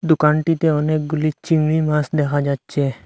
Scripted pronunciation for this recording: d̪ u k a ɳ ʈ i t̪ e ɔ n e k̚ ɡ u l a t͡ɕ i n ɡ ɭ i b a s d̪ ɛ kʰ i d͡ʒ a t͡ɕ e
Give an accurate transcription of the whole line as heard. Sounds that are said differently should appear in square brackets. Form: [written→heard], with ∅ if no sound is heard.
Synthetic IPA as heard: d̪ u k a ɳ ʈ i t̪ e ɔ n e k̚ ɡ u l [a→i] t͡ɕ i [n→ŋ] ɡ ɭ i [b→m] a s d̪ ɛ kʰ [i→a] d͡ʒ a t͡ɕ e